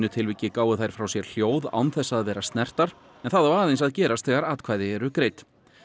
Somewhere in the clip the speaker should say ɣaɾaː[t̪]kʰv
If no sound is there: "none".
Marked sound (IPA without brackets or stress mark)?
t̪